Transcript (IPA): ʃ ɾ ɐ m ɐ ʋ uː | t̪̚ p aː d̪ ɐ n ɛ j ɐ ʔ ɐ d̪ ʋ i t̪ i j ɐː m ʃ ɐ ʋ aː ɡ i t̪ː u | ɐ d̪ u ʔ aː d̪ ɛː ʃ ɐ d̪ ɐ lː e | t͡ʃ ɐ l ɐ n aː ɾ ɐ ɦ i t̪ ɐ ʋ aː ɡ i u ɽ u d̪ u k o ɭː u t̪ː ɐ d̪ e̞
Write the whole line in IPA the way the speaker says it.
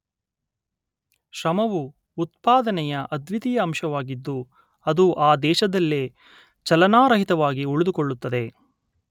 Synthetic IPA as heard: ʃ ɾ ɐ m ɐ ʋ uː | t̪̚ p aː d̪ ɐ n ɛ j ɐ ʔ ɐ d̪ ʋ i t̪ i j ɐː m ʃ ɐ ʋ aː ɡ i d̪ː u | ɐ d̪ u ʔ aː d̪ ɛː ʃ ɐ d̪ ɐ lː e | t͡ʃ ɐ l ɐ n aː ɾ ɐ ɦ i t̪ ɐ ʋ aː ɡ i u ɭ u d̪ u k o ɭː u t̪ː ɐ d̪ e̞

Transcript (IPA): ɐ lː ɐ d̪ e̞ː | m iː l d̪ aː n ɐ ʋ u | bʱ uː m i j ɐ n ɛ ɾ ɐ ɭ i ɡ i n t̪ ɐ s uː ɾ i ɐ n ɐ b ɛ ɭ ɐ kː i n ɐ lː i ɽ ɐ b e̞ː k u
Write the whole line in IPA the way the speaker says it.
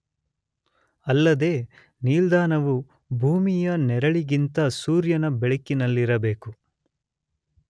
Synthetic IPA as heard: ɐ lː ɐ d̪ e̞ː | n iː l d̪ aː n ɐ ʋ u | bʱ uː m i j ɐ n ɛ ɾ ɐ ɭ i ɡ i n t̪ ɐ s uː ɾ j ɐ n ɐ b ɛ ɭ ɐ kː i n ɐ lː i ɾ ɐ b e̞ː k u

